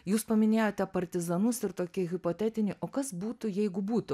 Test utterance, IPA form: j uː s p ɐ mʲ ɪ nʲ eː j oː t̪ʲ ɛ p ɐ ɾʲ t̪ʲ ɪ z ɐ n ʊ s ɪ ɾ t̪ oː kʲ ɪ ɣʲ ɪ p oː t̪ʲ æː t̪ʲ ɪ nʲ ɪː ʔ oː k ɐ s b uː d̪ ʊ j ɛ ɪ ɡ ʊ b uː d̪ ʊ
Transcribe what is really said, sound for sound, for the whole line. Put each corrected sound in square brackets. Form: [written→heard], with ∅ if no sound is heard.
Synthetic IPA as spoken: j uː s p ɐ mʲ ɪ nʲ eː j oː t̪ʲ ɛ p ɐ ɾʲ t̪ʲ ɪ z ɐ n ʊ s ɪ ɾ t̪ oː kʲ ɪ ɣʲ ɪ p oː t̪ʲ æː t̪ʲ ɪ nʲ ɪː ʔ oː k ɐ s b uː [d̪→t̪] ʊ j ɛ ɪ ɡ ʊ b uː [d̪→t̪] ʊ